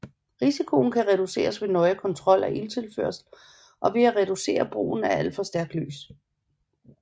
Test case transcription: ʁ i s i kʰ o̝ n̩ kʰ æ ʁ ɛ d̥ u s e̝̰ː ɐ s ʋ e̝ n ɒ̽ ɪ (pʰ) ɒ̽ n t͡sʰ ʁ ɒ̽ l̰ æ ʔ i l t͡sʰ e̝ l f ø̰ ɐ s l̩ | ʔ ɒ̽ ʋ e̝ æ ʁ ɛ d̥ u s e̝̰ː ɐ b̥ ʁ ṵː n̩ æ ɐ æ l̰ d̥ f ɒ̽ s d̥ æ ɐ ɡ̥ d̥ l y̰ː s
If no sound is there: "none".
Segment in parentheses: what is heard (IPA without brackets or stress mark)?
kʰ